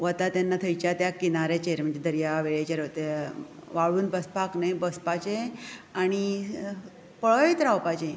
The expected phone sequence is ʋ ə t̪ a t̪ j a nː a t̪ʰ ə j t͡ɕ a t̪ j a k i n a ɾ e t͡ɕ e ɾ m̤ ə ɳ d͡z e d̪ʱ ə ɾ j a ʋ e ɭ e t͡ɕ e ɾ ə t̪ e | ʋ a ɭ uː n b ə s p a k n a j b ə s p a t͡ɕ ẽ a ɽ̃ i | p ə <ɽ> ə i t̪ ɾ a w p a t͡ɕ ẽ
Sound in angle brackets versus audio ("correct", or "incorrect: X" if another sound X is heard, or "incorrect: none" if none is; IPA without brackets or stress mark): incorrect: ɭ